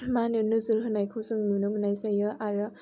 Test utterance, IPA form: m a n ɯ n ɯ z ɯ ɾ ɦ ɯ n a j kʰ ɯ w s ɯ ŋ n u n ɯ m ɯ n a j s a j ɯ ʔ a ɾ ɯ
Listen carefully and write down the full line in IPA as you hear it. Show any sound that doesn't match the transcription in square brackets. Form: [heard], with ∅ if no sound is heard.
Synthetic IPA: m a n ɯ n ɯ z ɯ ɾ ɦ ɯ n a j kʰ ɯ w s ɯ ŋ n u n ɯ m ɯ n a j s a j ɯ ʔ a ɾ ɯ